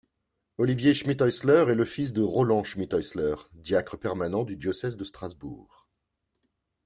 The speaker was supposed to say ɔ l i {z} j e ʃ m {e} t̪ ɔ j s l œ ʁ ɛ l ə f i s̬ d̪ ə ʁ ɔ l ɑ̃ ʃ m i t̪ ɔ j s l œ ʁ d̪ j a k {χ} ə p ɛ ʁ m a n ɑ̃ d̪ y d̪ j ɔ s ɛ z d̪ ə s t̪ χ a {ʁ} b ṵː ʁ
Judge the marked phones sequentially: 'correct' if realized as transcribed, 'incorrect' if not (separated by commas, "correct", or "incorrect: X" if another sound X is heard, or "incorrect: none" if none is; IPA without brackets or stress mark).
incorrect: v, incorrect: i, correct, incorrect: z